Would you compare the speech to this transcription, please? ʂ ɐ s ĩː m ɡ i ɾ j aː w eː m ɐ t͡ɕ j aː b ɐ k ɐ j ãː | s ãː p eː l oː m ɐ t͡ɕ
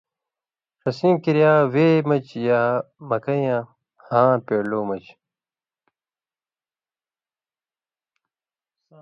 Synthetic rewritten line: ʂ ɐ s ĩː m k i ɾ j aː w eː m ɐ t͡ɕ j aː m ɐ k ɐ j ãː | h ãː p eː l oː m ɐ t͡ɕ